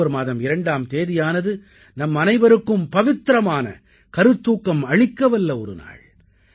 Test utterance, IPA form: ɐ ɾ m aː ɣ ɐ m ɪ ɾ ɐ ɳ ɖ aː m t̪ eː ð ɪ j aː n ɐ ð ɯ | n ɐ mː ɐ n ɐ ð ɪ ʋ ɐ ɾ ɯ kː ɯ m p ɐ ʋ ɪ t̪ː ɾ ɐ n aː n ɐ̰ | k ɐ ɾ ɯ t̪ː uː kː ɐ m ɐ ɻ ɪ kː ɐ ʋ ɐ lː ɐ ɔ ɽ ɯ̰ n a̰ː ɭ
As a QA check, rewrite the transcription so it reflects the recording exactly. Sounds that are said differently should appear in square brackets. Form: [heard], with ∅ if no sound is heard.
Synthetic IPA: ɐ ɾ m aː [ð] ɐ m ɪ ɾ ɐ ɳ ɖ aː m t̪ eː ð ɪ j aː n ɐ ð ɯ | n ɐ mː ɐ n ɐ [∅] ɪ ʋ ɐ ɾ ɯ kː ɯ m p ɐ ʋ ɪ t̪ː ɾ ɐ [m] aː n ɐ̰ | k ɐ ɾ ɯ t̪ː uː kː ɐ m ɐ ɻ ɪ kː ɐ ʋ ɐ lː ɐ ɔ [ɾ] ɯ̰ n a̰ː ɭ